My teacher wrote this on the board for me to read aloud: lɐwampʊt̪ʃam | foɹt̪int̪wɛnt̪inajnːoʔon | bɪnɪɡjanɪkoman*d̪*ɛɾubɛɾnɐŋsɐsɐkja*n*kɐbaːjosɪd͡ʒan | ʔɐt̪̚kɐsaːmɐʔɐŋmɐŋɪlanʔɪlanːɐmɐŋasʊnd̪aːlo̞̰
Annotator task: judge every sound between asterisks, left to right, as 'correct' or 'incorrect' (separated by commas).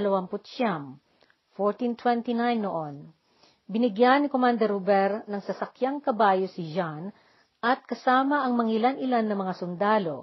correct, incorrect